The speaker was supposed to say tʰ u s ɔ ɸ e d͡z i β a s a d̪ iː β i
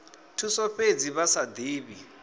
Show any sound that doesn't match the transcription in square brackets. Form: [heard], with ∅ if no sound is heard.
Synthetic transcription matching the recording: tʰ u s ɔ ɸ e d͡z i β a s a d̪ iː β i

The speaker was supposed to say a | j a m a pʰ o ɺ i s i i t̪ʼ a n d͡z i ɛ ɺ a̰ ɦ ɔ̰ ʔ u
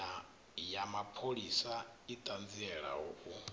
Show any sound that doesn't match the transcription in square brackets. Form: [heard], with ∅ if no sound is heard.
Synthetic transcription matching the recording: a | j a m a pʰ o ɺ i s [a] i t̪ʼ a n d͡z i ɛ ɺ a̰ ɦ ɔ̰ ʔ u

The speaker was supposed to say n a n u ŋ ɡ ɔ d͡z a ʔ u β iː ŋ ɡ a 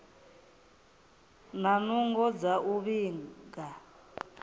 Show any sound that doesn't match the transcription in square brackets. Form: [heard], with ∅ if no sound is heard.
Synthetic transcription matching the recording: n a n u ŋ ɡ ɔ d͡z a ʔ u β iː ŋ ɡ a

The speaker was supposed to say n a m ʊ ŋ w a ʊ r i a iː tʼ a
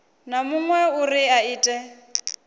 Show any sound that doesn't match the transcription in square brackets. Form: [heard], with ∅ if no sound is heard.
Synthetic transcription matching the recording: n a m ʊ ŋ w [ɛ] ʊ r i a iː tʼ [ɛ]

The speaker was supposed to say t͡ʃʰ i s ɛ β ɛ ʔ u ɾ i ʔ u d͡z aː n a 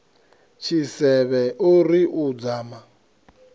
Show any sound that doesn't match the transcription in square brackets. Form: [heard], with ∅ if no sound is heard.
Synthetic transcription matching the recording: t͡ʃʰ i s ɛ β ɛ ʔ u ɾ i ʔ u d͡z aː [m] a

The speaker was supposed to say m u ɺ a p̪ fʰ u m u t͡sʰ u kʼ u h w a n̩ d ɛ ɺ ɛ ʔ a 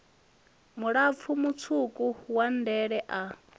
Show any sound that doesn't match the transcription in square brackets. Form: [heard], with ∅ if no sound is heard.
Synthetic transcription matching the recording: m u ɺ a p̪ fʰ u m u t͡sʰ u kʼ u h w a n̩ d ɛ ɺ ɛ ʔ a

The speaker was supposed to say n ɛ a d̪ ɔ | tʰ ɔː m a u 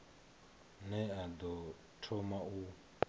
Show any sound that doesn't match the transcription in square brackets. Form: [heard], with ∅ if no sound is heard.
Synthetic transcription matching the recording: n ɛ a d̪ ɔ | tʰ [ɔ] m a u

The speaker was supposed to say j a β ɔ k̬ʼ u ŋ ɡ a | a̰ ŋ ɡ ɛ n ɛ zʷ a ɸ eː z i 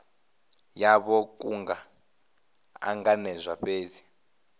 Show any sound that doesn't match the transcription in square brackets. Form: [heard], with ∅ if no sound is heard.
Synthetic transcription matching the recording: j a β ɔ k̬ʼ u ŋ ɡ a | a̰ ŋ ɡ [a] n ɛ zʷ a ɸ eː z i

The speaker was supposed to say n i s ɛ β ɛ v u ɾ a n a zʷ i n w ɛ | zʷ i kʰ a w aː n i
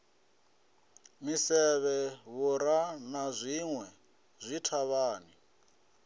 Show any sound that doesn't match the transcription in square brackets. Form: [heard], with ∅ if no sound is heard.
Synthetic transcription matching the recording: [m] i s ɛ β ɛ [β] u ɾ a n a zʷ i [ŋ] w ɛ | zʷ i [tʰ] a [β] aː n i

